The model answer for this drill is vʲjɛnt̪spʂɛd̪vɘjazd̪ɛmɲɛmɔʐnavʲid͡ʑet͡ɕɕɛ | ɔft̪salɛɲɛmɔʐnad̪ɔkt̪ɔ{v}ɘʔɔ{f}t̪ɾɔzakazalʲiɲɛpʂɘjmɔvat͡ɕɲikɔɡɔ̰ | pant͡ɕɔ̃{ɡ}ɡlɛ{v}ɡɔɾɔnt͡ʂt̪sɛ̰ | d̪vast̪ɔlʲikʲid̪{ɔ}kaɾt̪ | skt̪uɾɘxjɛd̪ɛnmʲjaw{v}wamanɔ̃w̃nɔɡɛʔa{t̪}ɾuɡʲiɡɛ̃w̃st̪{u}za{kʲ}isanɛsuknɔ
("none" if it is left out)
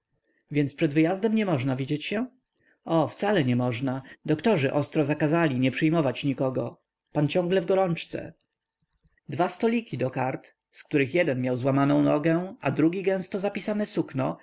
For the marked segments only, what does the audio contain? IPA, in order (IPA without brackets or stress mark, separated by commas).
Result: ʐ, s, ŋ, v, ɔ, z, d̪, ɔ, pʲ